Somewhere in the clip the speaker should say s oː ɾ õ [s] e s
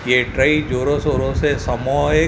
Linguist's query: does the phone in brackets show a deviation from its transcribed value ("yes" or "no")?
no